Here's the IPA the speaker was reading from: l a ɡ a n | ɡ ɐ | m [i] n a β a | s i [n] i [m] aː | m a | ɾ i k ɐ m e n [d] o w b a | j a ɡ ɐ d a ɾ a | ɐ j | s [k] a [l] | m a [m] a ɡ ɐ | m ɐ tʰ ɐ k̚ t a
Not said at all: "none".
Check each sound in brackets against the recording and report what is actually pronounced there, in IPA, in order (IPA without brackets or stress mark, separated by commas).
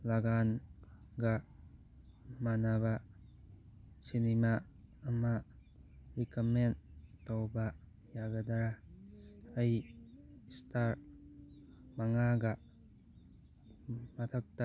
a, n, m, t, t, ɾ, ŋ